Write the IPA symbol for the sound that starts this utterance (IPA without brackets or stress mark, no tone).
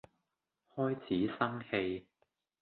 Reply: h